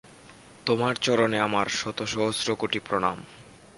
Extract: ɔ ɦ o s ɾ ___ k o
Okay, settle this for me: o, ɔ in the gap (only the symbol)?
o